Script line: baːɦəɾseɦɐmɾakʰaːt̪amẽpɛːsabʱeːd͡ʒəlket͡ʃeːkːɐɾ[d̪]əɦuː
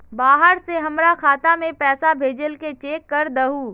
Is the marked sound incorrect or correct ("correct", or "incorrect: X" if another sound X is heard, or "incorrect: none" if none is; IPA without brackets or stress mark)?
correct